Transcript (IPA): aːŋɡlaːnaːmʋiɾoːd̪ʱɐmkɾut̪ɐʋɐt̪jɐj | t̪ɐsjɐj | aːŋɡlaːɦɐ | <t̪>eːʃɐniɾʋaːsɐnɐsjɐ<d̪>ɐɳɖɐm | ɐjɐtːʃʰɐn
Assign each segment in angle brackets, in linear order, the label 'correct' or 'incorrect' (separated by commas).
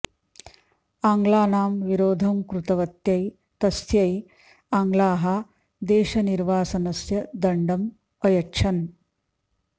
incorrect, correct